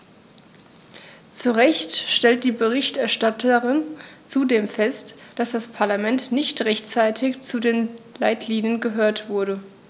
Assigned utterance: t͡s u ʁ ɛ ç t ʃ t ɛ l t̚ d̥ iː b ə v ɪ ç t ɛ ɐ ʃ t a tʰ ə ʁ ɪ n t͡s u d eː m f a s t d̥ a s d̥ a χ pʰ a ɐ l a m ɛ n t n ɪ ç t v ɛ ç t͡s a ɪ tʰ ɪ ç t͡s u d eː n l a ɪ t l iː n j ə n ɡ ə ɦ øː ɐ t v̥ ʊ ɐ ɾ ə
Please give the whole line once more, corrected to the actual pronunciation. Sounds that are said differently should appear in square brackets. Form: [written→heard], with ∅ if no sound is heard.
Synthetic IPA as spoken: t͡s u ʁ ɛ ç t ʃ t ɛ l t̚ d̥ iː b ə [v→ʁ] ɪ ç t ɛ ɐ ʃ t a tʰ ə ʁ ɪ n t͡s u d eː m f [a→ɛ] s t d̥ a s d̥ a [χ→s] pʰ a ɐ l a m ɛ n t n ɪ ç t [v→ʁ] ɛ ç t͡s a ɪ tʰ ɪ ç t͡s u d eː n l a ɪ t l iː n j ə n ɡ ə ɦ øː ɐ t v̥ ʊ ɐ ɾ ə